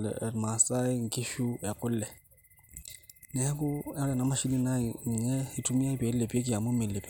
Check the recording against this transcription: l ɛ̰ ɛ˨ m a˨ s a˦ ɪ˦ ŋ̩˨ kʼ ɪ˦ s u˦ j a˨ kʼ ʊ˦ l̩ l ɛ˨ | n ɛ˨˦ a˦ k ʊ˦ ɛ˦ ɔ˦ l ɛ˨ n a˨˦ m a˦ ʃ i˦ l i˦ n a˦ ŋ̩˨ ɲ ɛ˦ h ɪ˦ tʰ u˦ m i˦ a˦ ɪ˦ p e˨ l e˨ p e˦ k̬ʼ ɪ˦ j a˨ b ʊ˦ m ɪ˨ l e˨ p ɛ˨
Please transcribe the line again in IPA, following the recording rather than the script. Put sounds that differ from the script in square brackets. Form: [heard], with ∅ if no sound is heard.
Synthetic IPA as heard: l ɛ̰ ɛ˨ m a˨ s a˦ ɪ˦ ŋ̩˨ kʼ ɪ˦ [ʃ] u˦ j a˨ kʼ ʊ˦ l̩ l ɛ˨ | n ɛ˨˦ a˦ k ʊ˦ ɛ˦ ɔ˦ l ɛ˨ n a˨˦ m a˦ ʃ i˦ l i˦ n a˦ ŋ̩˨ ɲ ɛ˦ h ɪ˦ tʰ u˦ m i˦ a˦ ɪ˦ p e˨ l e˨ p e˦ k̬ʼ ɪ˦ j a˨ [m] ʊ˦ m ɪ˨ l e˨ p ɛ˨